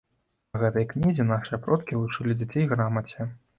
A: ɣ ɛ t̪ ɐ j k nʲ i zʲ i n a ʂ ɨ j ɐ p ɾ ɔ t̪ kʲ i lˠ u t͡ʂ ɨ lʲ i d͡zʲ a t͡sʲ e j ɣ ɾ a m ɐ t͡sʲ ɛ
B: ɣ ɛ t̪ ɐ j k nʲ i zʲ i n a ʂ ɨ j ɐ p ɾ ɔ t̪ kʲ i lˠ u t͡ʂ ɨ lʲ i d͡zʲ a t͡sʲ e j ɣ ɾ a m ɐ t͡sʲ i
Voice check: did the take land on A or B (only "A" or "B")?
A